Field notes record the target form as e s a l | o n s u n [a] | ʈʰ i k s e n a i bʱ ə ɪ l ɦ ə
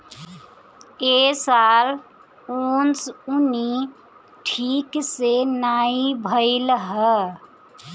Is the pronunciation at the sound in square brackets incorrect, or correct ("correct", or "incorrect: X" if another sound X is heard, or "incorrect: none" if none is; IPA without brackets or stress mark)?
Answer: incorrect: i